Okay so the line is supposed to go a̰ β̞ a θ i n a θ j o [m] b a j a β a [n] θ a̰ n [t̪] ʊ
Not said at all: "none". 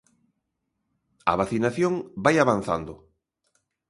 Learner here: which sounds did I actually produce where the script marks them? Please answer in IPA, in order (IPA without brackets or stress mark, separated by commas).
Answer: ŋ, n, d̪